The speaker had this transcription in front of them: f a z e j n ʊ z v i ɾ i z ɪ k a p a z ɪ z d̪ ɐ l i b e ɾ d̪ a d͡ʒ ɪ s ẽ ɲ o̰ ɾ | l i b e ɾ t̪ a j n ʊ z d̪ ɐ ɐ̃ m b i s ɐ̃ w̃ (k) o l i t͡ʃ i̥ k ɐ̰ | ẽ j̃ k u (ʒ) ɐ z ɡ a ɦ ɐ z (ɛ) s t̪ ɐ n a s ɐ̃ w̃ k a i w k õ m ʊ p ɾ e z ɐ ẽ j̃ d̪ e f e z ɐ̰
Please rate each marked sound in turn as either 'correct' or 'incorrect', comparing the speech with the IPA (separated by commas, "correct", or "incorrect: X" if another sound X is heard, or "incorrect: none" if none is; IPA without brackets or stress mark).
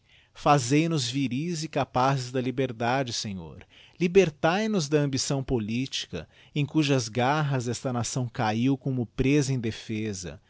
incorrect: p, correct, correct